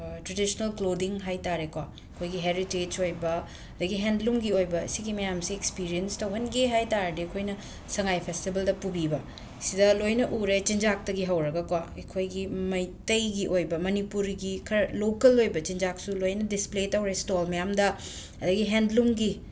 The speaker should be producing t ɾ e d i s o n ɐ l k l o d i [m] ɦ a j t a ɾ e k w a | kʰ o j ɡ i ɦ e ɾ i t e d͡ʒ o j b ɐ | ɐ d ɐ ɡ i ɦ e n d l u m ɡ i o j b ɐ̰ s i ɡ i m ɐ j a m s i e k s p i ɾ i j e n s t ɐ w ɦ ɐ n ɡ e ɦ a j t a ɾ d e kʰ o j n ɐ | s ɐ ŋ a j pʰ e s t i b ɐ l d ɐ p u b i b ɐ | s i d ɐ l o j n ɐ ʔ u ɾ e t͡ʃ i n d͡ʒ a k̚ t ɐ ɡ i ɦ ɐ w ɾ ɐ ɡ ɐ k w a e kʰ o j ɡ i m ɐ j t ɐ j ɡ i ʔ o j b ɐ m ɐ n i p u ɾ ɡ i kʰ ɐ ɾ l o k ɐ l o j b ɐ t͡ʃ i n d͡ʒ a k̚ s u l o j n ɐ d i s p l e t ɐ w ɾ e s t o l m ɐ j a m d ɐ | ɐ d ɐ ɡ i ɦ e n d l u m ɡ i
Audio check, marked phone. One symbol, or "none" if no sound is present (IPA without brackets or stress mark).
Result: ŋ